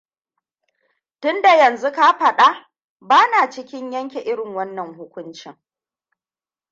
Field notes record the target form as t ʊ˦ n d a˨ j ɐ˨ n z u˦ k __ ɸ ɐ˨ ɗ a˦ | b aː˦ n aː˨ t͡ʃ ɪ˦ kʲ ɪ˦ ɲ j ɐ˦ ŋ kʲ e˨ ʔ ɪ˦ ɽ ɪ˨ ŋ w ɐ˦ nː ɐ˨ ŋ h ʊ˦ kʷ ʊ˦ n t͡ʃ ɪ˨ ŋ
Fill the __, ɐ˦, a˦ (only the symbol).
a˦